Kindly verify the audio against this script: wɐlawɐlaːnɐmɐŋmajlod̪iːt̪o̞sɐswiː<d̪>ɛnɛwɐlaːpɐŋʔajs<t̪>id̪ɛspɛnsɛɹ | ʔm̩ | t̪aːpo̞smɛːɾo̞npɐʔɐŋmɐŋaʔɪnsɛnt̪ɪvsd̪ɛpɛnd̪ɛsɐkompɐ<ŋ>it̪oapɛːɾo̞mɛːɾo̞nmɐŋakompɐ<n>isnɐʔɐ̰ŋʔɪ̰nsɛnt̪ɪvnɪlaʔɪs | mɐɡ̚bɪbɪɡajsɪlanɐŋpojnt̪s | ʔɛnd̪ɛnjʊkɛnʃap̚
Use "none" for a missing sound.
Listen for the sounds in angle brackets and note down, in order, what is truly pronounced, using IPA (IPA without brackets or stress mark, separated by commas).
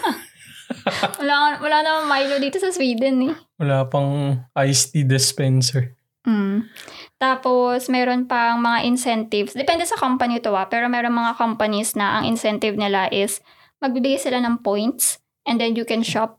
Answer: d̪, t̪, n, n